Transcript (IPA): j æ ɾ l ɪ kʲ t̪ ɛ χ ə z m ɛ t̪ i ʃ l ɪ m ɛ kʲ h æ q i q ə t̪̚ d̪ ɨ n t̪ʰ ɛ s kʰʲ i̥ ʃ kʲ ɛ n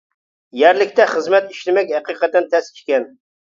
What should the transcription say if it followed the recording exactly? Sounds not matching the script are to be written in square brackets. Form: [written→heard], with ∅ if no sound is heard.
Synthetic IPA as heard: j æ ɾ l ɪ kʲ t̪ ɛ χ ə z m ɛ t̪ i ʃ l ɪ m ɛ kʲ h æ q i q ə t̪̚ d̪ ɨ n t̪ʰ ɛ s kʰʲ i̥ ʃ kʲ ɛ n